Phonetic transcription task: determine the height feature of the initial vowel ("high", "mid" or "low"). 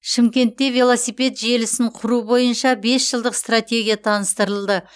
high